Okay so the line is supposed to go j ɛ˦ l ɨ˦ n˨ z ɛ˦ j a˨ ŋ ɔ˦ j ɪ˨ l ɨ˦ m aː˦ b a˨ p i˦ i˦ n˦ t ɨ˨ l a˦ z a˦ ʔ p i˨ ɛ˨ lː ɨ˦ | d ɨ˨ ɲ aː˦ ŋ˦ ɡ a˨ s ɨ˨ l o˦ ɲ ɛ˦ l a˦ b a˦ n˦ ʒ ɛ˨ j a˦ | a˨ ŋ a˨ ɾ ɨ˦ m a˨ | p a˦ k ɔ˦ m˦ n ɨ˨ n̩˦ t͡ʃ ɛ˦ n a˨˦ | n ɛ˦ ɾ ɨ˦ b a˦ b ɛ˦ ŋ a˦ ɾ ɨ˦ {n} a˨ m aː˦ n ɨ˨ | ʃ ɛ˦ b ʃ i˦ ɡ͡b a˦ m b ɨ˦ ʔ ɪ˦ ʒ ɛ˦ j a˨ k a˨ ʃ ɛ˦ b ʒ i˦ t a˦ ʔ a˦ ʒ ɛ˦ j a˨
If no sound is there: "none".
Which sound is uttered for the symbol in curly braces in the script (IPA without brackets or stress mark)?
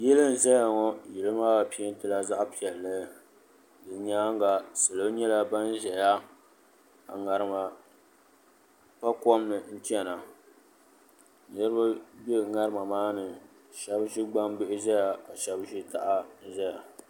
m